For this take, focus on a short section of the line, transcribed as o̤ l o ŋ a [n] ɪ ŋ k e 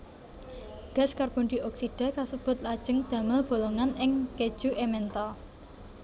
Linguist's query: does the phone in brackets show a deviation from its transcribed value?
no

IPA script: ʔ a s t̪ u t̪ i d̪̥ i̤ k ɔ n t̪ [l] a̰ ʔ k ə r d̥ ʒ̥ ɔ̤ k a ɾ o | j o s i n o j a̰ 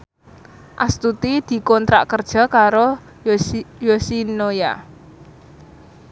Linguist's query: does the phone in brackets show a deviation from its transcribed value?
yes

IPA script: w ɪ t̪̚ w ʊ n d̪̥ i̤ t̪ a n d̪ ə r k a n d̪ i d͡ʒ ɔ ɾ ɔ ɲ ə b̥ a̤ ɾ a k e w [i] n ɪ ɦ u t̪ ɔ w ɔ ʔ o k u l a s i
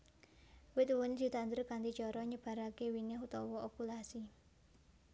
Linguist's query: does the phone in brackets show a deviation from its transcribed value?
no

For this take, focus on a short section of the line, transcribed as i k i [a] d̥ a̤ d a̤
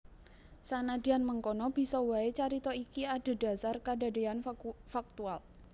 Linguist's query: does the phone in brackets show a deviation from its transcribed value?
no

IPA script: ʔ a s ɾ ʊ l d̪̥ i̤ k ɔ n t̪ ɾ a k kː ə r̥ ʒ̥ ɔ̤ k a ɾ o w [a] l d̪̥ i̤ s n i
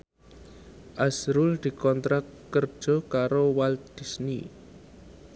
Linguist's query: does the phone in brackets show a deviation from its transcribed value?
no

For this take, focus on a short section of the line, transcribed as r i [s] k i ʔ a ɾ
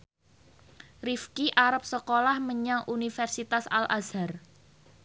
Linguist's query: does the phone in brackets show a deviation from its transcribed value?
yes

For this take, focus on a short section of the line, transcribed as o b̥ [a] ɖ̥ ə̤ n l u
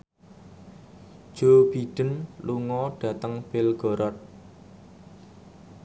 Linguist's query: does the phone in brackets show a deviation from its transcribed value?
yes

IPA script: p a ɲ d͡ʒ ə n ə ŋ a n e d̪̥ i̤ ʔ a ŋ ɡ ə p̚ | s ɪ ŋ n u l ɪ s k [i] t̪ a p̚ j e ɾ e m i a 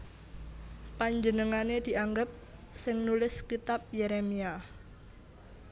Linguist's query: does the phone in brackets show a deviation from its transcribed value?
no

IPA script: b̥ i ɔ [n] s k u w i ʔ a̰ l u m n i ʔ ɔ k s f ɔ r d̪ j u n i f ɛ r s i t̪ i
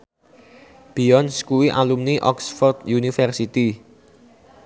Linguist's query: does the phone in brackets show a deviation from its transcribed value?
no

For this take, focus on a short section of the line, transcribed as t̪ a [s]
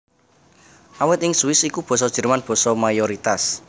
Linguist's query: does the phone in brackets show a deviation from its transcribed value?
no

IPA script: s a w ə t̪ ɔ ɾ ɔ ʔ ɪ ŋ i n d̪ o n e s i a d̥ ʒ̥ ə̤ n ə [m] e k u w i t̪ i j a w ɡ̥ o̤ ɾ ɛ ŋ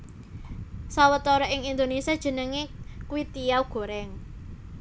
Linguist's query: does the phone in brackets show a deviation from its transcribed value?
yes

